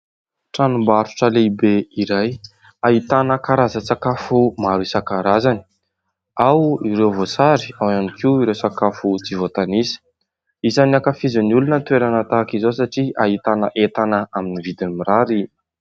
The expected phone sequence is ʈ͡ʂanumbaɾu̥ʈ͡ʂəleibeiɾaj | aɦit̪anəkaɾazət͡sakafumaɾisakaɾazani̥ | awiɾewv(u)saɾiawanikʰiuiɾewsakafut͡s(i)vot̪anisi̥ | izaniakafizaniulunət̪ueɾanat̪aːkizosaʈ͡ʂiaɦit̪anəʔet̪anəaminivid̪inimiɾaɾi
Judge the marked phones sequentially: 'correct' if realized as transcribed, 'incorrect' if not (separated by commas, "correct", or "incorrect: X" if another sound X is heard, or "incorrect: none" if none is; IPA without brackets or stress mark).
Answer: incorrect: o, correct